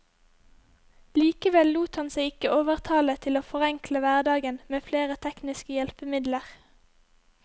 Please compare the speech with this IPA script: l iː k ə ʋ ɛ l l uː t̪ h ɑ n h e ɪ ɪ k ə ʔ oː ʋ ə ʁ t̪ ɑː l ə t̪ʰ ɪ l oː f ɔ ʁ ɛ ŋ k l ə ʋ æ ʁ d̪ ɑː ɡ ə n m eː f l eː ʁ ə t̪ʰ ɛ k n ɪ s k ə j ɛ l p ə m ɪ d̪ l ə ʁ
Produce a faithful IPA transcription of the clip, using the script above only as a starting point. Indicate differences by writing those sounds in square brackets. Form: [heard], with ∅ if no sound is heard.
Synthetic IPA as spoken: l iː k ə ʋ ɛ l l uː t̪ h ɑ n [s] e ɪ ɪ k ə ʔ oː ʋ ə ʁ [t̪ʰ] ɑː l ə t̪ʰ ɪ l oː f ɔ ʁ ɛ ŋ k l ə ʋ æ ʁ d̪ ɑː ɡ ə n m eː f l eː ʁ ə t̪ʰ ɛ k n ɪ s k ə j ɛ l p ə m ɪ d̪ l ə ʁ